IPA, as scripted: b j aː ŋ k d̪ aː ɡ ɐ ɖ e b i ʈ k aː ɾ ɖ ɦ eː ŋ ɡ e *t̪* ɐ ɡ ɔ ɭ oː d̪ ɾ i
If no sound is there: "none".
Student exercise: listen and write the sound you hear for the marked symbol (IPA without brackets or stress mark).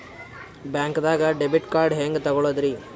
t̪